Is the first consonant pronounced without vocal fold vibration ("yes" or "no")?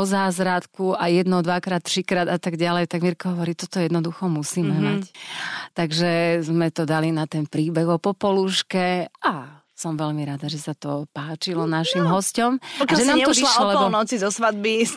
no